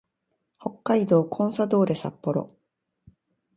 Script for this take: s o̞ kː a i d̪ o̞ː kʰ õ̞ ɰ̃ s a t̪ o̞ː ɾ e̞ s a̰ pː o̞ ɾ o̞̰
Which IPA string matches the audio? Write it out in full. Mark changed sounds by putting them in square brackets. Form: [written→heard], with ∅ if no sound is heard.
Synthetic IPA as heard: [s→h] o̞ kː a i d̪ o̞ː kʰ õ̞ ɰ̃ s a [t̪→d̪] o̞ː ɾ e̞ s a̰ pː o̞ ɾ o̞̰